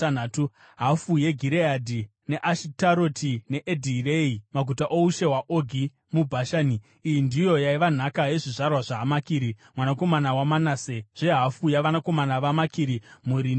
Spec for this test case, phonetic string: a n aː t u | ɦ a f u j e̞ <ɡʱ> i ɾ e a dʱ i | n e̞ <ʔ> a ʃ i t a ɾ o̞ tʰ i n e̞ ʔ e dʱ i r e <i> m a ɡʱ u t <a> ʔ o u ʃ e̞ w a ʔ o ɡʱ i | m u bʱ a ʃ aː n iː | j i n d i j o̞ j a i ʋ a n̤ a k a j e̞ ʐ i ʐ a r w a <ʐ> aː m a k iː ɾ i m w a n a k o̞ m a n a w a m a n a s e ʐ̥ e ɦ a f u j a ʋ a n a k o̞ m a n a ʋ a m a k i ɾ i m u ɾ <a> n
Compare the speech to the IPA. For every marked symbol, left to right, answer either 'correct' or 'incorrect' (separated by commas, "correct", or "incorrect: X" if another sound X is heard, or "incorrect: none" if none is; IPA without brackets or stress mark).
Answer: correct, correct, correct, correct, correct, incorrect: i